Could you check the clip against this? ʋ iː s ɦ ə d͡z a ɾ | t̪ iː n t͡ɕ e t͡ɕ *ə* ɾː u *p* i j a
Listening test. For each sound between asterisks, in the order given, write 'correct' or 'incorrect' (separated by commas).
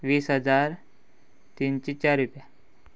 incorrect, correct